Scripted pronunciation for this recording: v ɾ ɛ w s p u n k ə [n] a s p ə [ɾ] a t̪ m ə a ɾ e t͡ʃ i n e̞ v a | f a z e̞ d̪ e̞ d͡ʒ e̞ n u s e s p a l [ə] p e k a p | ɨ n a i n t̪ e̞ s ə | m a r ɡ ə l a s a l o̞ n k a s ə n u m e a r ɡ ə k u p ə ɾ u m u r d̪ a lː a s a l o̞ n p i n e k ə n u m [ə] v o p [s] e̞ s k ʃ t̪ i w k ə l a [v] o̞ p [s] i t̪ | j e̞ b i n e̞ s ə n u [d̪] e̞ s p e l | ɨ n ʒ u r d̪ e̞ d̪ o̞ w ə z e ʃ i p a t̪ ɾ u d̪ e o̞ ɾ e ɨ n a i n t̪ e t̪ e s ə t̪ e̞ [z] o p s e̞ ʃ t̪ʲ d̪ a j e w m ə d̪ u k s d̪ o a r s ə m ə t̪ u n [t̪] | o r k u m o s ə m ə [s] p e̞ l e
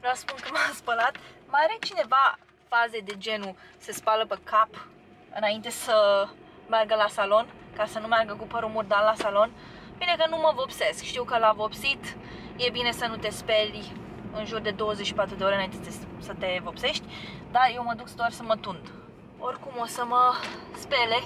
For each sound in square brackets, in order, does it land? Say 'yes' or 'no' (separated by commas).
no, no, yes, yes, yes, yes, yes, no, no, no, yes